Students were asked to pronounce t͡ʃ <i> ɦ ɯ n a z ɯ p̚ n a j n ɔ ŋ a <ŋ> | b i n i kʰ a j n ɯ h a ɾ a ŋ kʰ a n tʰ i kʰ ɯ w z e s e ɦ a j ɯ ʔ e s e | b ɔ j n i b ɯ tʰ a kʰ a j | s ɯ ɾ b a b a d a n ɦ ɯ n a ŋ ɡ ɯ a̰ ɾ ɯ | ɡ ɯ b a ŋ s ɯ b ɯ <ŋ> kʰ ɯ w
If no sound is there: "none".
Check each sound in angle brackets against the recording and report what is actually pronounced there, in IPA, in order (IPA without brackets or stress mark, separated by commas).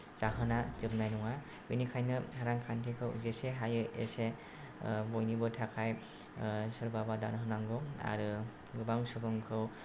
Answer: a, none, ŋ